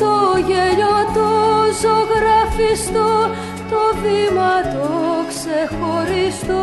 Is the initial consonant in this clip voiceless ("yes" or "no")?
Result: yes